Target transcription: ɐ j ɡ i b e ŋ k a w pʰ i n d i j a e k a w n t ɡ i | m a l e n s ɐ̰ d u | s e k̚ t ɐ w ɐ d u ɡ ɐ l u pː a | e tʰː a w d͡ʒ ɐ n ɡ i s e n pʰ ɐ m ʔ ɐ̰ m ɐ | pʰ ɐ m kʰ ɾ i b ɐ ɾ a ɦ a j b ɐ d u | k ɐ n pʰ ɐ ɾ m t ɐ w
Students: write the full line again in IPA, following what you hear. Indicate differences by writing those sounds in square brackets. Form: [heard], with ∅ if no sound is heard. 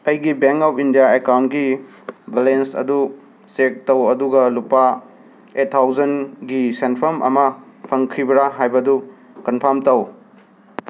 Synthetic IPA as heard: ɐ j ɡ i b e ŋ k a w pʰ i n d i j a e k a w n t ɡ i | [b] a l e n s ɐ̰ d u | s e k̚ t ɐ w ɐ d u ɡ ɐ l u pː a | e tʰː a w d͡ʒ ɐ n ɡ i s e n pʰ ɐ m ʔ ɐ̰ m ɐ | pʰ ɐ [ŋ] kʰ ɾ i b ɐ ɾ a ɦ a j b ɐ d u | k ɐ n pʰ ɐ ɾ m t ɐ w